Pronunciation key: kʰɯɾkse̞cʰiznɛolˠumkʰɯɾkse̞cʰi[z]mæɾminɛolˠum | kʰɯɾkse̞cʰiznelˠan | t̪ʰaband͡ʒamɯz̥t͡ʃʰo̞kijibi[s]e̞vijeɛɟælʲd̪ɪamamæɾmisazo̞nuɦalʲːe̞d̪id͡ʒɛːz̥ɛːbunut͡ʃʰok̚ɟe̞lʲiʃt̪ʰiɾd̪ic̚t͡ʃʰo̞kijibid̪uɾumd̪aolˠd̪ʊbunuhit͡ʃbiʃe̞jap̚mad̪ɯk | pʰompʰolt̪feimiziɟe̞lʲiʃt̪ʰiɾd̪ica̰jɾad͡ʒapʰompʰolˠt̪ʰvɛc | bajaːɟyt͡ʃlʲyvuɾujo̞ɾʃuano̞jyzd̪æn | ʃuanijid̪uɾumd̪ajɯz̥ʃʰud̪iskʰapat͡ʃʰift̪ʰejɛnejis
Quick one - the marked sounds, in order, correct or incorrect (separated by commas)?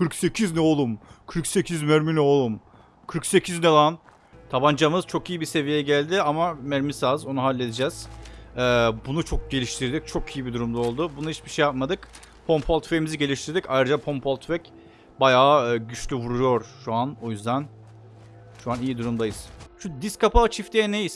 correct, correct